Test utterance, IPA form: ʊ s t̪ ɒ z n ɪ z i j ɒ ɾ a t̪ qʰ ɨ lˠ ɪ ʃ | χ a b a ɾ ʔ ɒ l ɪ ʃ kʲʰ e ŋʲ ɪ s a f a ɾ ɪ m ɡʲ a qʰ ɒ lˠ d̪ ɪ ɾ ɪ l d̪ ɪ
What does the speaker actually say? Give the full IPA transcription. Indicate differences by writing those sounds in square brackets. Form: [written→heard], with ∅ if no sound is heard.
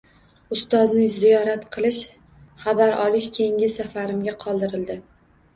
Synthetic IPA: ʊ s t̪ ɒ z n ɪ z i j ɒ ɾ a t̪ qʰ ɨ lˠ ɪ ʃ | χ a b a ɾ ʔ ɒ l ɪ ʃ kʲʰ e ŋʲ ɪ s a f a ɾ ɪ m ɡʲ a qʰ ɒ lˠ d̪ ɪ ɾ ɪ l d̪ ɪ